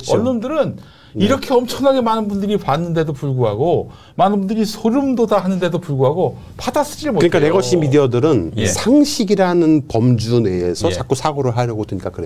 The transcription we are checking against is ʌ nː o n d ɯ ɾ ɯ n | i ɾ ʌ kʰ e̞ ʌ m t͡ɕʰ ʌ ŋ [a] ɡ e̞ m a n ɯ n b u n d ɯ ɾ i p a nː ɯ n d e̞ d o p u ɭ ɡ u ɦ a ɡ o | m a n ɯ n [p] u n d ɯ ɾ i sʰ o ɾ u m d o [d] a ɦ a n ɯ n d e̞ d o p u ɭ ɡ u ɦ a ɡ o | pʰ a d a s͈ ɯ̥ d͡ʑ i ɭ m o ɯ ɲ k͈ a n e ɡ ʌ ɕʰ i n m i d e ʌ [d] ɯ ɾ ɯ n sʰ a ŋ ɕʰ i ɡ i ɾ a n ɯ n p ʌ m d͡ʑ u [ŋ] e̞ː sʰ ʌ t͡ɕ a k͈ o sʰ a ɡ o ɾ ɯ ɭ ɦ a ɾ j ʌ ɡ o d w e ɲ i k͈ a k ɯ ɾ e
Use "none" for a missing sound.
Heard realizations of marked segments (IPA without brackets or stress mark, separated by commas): a, b, d, d, n